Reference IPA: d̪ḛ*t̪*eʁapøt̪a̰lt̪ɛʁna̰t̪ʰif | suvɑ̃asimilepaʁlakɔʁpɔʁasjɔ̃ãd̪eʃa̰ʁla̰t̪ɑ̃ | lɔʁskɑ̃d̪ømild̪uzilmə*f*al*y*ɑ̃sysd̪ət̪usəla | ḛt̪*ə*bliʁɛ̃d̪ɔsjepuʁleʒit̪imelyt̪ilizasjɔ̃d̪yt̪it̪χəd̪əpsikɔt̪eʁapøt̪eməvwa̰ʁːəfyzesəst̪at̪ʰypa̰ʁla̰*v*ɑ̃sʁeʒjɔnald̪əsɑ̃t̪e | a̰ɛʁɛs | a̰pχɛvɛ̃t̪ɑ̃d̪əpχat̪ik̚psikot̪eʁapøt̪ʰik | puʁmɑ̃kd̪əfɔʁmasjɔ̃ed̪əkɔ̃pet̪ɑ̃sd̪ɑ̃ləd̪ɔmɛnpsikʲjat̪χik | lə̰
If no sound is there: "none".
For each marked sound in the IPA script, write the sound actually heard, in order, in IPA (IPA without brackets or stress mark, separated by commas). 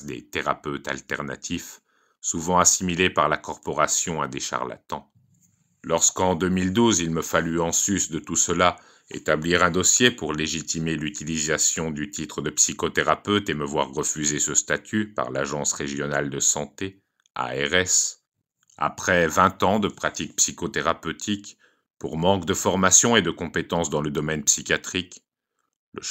t̪, f, y, a, ʒ